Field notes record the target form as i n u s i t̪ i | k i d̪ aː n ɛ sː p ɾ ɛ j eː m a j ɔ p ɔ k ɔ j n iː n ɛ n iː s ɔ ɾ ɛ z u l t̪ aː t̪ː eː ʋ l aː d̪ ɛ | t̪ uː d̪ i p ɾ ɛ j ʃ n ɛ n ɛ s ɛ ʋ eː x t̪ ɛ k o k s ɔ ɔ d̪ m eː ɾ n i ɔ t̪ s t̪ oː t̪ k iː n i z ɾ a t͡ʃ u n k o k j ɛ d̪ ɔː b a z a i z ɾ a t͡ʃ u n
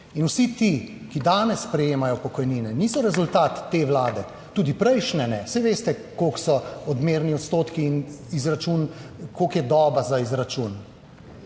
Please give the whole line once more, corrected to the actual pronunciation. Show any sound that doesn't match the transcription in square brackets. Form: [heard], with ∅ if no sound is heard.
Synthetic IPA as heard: i n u s i t̪ i | k i d̪ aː n ɛ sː p ɾ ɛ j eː m a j ɔ p ɔ k ɔ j n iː n ɛ n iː s ɔ ɾ ɛ z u l t̪ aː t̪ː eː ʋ l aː d̪ ɛ | t̪ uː d̪ i p ɾ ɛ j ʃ n ɛ n ɛ s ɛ ʋ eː [s] t̪ ɛ k o k s ɔ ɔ d̪ m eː ɾ n i ɔ t̪ s t̪ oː t̪ k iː n i z ɾ a t͡ʃ u n k o k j ɛ d̪ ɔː b a z a i z ɾ a t͡ʃ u n